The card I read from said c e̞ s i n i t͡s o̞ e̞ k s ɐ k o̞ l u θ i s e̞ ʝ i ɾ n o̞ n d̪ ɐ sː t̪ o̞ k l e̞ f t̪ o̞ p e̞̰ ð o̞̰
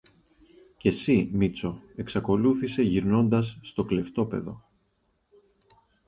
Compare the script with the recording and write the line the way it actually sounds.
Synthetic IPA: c e̞ s i m i t͡s o̞ e̞ k s ɐ k o̞ l u θ i s e̞ ʝ i ɾ n o̞ n d̪ ɐ sː t̪ o̞ k l e̞ f t̪ o̞ p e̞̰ ð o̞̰